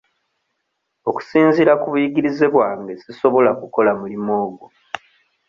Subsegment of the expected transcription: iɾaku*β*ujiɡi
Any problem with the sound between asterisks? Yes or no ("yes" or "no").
no